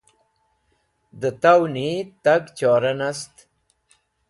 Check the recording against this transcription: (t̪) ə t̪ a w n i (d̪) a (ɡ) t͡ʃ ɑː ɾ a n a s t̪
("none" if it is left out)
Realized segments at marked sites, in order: d̪, t̪, ɡ

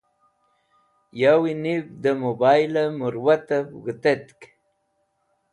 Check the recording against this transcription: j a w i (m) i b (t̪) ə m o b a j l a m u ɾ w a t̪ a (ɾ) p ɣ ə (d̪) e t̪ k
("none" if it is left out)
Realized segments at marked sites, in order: n, d̪, none, t̪

